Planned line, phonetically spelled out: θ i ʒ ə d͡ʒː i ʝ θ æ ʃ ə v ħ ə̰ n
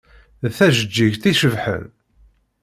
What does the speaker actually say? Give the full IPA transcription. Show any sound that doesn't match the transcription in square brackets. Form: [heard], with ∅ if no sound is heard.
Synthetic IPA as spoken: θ [æ] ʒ ə d͡ʒː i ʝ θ [i] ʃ ə v ħ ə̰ n